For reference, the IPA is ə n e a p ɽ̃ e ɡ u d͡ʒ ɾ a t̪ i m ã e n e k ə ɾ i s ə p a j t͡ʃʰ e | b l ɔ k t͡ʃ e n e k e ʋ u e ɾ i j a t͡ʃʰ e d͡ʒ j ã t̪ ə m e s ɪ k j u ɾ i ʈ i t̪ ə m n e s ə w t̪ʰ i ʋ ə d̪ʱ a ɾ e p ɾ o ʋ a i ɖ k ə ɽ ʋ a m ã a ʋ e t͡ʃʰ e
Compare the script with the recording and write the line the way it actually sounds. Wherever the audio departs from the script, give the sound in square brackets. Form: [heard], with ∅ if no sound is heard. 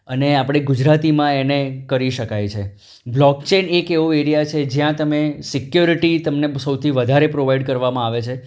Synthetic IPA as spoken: ə n e a p ɽ̃ e ɡ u d͡ʒ ɾ a t̪ i m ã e n e k ə ɾ i [ʃ] ə [k] a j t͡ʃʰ e | b l ɔ k t͡ʃ e n e k e ʋ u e ɾ i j a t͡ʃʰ e d͡ʒ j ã t̪ ə m e s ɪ k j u ɾ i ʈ i t̪ ə m n e s ə w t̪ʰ i ʋ ə d̪ʱ a ɾ e p ɾ o ʋ a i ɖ k ə [ɾ] ʋ a m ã a ʋ e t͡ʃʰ e